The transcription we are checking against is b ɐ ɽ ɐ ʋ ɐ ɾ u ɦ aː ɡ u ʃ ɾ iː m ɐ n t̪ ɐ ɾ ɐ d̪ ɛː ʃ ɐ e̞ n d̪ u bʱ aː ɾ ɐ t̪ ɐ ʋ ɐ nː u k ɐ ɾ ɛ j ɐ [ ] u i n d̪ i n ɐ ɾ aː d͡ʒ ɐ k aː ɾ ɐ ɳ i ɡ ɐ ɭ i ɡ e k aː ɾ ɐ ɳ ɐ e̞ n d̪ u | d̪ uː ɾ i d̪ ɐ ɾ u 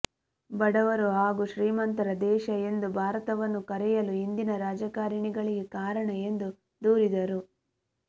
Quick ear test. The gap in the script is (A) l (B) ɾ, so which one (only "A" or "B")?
A